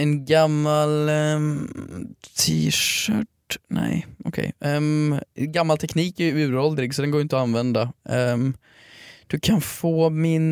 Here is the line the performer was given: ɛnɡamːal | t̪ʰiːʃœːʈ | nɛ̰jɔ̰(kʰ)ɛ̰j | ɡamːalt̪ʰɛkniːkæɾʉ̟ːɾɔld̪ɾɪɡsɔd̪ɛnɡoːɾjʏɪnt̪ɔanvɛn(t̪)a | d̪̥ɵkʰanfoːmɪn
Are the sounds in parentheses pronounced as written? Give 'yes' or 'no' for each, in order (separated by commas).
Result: yes, no